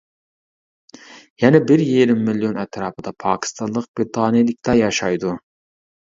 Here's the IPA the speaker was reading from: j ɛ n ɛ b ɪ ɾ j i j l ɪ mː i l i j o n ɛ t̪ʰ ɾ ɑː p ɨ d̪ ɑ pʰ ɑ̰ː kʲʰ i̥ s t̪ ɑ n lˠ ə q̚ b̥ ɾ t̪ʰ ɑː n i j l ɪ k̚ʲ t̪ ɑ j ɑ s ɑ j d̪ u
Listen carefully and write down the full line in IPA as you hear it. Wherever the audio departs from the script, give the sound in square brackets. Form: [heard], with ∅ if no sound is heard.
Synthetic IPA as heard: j ɛ n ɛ b ɪ ɾ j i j [ɾ] ɪ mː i l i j o n ɛ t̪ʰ ɾ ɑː p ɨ d̪ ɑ pʰ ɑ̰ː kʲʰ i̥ s t̪ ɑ n lˠ ə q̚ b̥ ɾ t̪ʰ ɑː n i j l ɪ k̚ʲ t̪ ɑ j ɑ [ʃ] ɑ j d̪ u